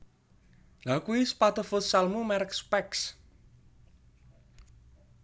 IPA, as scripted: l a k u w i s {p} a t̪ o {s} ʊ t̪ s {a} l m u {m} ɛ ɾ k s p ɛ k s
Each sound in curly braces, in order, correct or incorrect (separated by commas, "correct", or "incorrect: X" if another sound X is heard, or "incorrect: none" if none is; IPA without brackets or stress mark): correct, incorrect: f, correct, correct